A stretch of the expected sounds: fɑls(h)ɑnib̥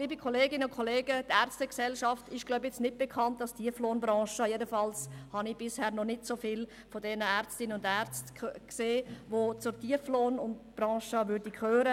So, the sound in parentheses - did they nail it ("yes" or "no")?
yes